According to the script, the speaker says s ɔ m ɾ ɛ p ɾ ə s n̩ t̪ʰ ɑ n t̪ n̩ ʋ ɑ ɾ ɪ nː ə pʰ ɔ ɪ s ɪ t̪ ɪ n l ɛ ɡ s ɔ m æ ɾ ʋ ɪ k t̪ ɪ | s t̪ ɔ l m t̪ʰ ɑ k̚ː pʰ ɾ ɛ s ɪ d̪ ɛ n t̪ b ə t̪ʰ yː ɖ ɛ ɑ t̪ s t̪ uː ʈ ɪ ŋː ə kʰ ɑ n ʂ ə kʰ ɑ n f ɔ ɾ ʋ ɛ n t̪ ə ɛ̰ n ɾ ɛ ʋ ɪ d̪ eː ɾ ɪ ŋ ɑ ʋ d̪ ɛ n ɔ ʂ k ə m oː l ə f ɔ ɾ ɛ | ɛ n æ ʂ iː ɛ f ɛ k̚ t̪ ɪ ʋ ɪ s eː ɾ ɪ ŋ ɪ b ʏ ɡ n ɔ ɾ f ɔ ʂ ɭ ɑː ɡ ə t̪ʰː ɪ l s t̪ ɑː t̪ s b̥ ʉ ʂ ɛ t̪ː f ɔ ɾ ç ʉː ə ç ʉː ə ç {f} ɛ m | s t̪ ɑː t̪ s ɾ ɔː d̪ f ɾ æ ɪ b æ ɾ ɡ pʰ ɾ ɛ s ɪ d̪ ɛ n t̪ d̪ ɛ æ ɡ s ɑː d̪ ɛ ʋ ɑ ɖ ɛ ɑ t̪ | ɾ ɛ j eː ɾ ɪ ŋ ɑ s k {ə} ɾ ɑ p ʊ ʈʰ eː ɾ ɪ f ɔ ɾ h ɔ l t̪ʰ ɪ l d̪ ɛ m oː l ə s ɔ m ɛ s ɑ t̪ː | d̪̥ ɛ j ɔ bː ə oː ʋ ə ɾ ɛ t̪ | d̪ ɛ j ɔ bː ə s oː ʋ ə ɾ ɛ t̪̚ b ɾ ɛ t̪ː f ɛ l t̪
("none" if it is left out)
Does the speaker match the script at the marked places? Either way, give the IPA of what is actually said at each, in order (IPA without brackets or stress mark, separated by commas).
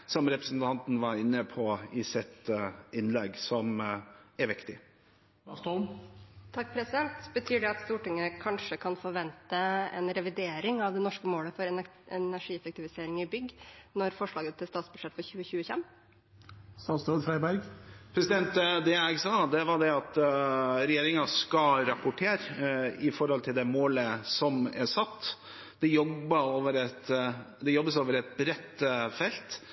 f, ɑ